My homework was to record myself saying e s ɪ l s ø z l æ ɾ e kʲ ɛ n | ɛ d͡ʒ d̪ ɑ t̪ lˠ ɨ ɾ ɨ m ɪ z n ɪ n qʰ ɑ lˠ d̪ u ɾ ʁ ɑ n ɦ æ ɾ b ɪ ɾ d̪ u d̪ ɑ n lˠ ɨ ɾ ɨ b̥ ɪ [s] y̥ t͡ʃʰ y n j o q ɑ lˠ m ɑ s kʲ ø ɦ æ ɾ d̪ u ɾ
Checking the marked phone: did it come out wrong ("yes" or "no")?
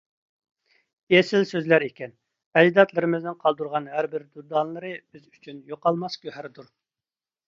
yes